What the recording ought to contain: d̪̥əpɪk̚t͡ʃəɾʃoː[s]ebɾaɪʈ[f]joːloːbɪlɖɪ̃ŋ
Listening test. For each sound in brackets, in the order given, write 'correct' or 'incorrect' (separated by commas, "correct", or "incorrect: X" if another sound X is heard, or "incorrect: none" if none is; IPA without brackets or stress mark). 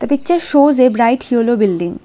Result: incorrect: z, incorrect: h